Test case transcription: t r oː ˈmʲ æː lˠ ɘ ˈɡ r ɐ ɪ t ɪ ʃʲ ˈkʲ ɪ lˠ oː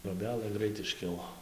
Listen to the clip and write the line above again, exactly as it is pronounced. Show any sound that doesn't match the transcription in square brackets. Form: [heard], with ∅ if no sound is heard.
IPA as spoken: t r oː [ˈbʲ] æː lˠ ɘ ˈɡ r ɐ ɪ t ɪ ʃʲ ˈkʲ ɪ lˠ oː